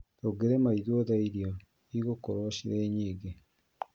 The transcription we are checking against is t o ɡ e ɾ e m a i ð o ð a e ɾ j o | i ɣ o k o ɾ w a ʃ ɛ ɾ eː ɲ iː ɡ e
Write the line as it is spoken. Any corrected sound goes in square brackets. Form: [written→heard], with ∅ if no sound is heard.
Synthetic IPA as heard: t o ɡ e ɾ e m a i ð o ð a [e→i] ɾ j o | i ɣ o k o ɾ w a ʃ [ɛ→i] ɾ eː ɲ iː ɡ e